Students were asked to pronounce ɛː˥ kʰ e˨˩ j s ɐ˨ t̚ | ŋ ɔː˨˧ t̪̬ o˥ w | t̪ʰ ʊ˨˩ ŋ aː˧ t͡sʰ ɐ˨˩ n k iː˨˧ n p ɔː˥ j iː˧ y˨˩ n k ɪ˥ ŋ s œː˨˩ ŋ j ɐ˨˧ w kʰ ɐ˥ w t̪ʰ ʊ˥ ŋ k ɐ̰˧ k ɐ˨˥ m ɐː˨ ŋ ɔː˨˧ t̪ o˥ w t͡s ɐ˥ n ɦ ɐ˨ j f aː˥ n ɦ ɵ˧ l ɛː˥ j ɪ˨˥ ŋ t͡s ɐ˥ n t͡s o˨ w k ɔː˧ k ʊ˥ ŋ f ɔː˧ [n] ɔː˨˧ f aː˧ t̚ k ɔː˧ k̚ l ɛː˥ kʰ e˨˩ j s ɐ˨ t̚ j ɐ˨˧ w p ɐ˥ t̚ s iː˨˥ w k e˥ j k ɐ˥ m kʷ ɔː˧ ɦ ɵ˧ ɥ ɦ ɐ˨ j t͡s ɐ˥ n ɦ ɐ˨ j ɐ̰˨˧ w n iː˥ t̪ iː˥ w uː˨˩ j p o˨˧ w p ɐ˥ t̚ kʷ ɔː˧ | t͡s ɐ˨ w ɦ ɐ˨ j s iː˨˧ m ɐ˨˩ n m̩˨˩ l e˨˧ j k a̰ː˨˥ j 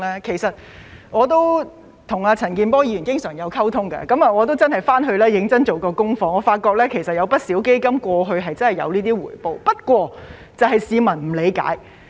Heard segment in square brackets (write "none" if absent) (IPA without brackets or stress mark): ŋ